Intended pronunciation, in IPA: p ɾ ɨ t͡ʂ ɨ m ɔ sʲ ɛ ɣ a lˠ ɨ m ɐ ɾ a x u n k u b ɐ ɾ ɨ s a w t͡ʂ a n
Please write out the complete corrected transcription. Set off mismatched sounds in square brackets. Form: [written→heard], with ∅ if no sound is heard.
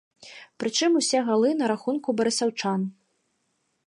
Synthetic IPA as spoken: p ɾ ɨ t͡ʂ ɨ m [ɔ→u] sʲ ɛ ɣ a lˠ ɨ [m→n] ɐ ɾ a x u n k u b ɐ ɾ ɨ s a w t͡ʂ a n